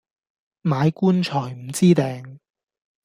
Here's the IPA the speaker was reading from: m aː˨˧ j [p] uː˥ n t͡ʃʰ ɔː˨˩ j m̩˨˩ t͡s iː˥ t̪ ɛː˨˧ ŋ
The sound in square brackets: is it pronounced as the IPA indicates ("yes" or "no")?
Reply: no